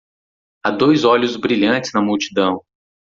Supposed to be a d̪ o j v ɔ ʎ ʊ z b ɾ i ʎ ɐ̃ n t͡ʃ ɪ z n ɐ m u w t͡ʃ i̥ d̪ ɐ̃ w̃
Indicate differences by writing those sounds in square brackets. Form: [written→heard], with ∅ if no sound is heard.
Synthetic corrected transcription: a d̪ o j [v→z] ɔ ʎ ʊ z b ɾ i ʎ ɐ̃ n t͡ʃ ɪ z n ɐ m u w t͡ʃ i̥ d̪ ɐ̃ w̃

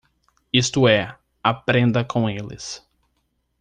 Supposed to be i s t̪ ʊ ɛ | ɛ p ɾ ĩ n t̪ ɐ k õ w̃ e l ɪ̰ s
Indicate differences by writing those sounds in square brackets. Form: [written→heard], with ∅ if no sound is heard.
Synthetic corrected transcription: i s t̪ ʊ ɛ | [ɛ→a] p ɾ [ĩ→ẽ] n [t̪→d̪] ɐ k õ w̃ e l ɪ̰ s

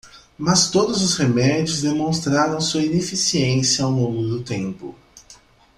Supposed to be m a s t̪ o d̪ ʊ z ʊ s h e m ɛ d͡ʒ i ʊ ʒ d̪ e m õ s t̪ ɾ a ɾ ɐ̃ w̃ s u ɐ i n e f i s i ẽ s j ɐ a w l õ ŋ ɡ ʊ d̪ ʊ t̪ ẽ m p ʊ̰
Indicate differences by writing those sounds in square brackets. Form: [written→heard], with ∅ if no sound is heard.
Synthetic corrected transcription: m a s t̪ o d̪ ʊ z ʊ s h e m ɛ d͡ʒ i ʊ [ʒ→z] d̪ e m õ s t̪ ɾ a ɾ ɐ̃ w̃ s u ɐ i n e f i s i ẽ s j ɐ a w l õ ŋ ɡ ʊ d̪ ʊ t̪ ẽ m p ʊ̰

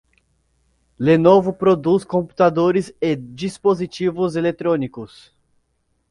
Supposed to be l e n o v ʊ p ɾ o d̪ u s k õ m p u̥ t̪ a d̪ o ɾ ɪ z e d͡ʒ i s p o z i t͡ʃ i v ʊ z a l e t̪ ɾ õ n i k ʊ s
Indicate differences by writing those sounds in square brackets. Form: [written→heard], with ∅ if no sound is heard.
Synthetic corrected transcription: l e n o v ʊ p ɾ o d̪ u s k õ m p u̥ t̪ a d̪ o ɾ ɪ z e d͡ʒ i s p o z i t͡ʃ i v ʊ z [a→e] l e t̪ ɾ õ n i k ʊ s

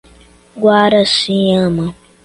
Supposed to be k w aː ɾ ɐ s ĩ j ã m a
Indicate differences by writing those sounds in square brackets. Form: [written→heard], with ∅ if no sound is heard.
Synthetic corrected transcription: [k→ɡ] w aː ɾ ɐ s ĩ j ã m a

